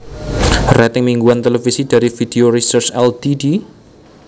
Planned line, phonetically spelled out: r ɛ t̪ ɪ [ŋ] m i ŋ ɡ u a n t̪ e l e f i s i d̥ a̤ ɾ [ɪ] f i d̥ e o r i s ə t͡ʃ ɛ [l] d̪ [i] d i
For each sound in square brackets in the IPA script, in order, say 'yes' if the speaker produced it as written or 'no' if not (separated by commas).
yes, no, yes, yes